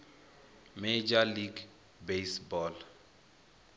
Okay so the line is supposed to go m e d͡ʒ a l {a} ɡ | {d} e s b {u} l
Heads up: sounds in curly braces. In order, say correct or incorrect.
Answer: incorrect: i, incorrect: b, incorrect: ɔ

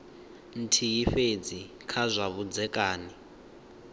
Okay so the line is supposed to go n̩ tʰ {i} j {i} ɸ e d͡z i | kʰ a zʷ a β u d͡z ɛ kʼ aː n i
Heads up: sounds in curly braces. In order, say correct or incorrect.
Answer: correct, correct

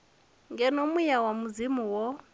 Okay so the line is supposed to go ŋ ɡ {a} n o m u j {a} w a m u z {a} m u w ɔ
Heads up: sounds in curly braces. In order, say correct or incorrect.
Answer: incorrect: ɛ, correct, incorrect: i

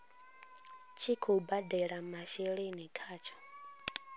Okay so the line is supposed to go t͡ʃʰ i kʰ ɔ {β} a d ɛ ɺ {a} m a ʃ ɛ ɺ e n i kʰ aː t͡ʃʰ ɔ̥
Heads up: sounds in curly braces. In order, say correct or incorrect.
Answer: incorrect: b, correct

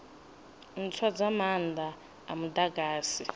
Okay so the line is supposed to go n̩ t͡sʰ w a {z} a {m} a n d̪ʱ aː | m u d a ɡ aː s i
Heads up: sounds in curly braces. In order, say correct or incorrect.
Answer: incorrect: d͡z, correct

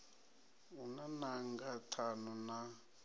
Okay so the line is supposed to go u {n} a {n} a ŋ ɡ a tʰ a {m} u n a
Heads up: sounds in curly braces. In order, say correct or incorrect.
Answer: correct, correct, incorrect: n

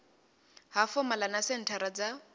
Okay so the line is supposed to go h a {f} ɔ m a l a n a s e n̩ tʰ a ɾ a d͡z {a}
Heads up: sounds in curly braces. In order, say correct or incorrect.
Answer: correct, correct

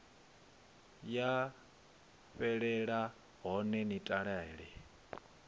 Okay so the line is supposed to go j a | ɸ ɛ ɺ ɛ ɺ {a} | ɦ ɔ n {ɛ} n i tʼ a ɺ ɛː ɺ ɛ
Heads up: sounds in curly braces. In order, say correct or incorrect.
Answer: correct, correct

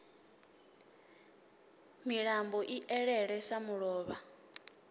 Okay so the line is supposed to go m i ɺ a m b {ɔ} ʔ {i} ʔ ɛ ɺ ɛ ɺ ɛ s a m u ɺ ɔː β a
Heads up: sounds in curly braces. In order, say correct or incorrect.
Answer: correct, correct

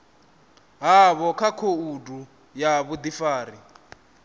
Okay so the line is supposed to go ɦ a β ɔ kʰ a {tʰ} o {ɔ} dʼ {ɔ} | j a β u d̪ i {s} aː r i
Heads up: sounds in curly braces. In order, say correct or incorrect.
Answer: incorrect: kʰ, incorrect: u, incorrect: u, incorrect: f

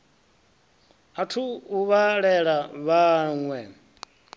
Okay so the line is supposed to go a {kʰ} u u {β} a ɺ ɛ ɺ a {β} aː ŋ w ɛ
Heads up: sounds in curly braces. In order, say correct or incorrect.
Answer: incorrect: tʰ, correct, correct

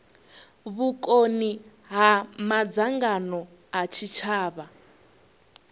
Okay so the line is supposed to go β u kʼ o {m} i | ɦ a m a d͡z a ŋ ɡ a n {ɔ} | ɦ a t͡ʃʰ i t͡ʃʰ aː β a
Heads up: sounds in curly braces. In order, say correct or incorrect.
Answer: incorrect: n, correct

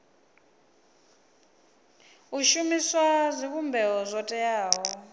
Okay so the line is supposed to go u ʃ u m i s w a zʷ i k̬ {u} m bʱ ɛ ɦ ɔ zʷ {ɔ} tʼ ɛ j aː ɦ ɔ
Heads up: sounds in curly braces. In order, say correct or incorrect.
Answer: correct, correct

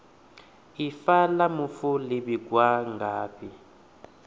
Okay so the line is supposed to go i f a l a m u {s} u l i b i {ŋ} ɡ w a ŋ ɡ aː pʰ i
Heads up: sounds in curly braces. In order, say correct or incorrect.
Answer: incorrect: f, incorrect: none

